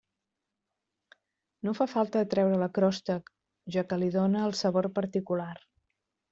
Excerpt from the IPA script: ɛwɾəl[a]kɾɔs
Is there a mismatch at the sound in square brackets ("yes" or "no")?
yes